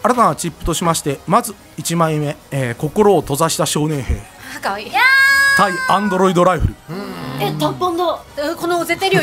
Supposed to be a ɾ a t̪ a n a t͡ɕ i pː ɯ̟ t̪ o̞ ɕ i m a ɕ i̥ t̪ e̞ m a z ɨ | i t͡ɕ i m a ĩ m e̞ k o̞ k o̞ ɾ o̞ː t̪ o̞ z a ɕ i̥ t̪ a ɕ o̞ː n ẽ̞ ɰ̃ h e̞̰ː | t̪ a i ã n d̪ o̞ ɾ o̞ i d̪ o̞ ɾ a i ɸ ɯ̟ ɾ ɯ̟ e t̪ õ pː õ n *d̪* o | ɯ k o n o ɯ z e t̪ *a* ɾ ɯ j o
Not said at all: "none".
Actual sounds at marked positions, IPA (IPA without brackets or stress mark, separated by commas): d̪, e